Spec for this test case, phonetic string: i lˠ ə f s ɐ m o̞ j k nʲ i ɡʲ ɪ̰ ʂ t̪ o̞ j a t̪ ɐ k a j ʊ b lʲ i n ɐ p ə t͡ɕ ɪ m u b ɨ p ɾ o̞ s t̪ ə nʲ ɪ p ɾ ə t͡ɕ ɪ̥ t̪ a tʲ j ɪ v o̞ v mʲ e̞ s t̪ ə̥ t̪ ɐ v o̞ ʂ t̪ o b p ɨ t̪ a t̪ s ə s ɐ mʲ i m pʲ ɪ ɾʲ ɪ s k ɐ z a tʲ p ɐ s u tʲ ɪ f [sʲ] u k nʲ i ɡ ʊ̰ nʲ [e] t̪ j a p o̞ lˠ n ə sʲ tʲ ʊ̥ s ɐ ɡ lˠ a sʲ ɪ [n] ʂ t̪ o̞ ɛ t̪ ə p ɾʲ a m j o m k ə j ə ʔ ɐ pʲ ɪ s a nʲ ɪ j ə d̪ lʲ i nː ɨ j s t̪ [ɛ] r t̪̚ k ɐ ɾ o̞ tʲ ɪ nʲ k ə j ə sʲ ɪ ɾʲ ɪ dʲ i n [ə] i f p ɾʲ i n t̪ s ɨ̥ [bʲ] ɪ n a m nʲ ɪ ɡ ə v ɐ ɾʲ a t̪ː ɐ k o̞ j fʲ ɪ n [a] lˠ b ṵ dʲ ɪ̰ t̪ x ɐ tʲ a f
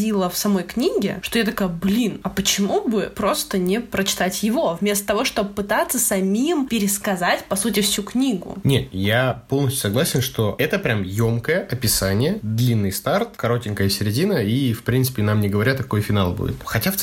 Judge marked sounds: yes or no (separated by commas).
yes, yes, yes, no, yes, no, yes